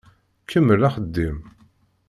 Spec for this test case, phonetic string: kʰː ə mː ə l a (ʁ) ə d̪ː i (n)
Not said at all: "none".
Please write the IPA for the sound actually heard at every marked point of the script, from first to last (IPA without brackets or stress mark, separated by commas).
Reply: χ, m